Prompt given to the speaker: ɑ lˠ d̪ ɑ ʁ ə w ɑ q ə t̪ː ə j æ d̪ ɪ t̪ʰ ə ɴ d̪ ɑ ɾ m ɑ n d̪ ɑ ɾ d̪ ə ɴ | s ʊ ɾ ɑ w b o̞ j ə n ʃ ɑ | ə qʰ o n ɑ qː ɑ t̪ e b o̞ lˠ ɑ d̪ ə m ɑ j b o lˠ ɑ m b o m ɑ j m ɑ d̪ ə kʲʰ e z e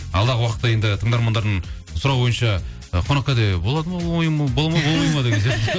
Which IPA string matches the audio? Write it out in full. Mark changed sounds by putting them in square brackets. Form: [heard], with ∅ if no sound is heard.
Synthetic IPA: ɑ lˠ d̪ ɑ ʁ ə w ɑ q ə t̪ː [ɑ] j [e] d̪ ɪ t̪ʰ ə ɴ d̪ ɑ ɾ m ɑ n d̪ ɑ ɾ d̪ ə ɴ | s ʊ ɾ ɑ w b o̞ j ə n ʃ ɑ | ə qʰ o n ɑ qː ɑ [d̪] e b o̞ lˠ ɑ d̪ ə m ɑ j b o lˠ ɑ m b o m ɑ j m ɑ d̪ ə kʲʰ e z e